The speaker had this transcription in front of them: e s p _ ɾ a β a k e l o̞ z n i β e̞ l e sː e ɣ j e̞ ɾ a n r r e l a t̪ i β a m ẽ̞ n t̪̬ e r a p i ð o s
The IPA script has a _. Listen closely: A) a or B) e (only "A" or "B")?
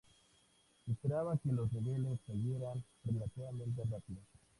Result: B